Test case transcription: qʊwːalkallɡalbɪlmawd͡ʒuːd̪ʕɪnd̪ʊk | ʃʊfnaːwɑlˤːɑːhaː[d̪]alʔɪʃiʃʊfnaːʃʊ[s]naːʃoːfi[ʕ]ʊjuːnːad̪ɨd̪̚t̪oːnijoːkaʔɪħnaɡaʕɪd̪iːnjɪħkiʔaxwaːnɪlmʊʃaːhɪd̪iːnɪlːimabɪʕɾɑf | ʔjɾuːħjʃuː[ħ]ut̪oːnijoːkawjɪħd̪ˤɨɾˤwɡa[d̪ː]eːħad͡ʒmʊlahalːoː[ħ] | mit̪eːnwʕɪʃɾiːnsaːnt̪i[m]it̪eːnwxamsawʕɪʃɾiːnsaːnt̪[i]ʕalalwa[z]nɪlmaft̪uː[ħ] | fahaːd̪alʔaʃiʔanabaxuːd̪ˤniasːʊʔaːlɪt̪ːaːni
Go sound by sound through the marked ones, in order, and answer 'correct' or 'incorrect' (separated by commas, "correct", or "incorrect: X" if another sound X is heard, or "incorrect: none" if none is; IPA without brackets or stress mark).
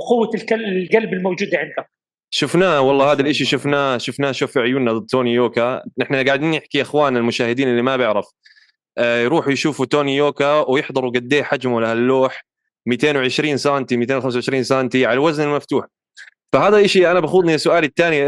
correct, incorrect: f, correct, incorrect: f, correct, correct, correct, correct, correct, correct